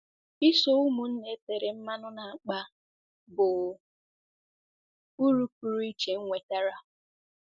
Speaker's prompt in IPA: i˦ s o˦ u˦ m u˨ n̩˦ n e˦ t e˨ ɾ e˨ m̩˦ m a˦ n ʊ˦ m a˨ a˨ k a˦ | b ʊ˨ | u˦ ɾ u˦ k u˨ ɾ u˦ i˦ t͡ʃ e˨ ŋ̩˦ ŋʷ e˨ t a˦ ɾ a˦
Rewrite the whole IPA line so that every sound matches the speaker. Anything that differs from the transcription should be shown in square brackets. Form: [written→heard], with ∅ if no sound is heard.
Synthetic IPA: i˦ s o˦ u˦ m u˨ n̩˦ n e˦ t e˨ ɾ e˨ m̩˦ m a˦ n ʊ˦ [m→n] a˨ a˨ [k→k͡p] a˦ | b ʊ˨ | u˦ ɾ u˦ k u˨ ɾ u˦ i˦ t͡ʃ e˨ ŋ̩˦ ŋʷ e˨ t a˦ ɾ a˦